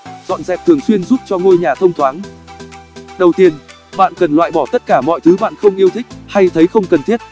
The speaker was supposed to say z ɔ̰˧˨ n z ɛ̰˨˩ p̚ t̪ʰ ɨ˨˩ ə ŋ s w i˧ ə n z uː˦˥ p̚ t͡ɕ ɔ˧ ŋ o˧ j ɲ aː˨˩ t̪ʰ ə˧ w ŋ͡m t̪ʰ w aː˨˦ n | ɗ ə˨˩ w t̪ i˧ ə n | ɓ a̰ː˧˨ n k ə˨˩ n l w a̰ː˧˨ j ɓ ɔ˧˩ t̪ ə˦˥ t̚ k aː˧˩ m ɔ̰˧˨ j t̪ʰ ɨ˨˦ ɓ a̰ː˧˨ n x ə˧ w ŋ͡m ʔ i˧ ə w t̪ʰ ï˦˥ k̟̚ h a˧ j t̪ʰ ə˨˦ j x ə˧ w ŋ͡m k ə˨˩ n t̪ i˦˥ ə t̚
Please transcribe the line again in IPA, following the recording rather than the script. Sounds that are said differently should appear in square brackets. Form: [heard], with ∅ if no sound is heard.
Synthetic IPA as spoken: z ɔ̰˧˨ n z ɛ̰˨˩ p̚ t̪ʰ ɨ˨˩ ə ŋ s w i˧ ə n z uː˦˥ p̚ t͡ɕ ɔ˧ ŋ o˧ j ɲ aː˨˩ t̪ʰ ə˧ w ŋ͡m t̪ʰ w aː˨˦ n | ɗ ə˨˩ w t̪ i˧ ə n | ɓ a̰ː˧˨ n k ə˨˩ n l w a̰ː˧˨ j ɓ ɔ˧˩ t̪ ə˦˥ t̚ k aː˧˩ m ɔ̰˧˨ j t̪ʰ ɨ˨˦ ɓ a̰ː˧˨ n x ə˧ w ŋ͡m ʔ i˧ ə w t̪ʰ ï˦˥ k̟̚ h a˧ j t̪ʰ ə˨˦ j x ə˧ w ŋ͡m k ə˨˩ n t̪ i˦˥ ə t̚